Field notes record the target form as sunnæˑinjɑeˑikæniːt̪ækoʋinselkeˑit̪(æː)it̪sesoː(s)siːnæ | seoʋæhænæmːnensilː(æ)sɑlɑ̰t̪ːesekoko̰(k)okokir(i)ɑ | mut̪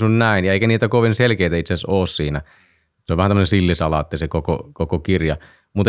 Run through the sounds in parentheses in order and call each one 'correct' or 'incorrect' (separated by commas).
incorrect, correct, incorrect, correct, incorrect